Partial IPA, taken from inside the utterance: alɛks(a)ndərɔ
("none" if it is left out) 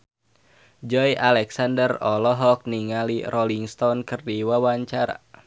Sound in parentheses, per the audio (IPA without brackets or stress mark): a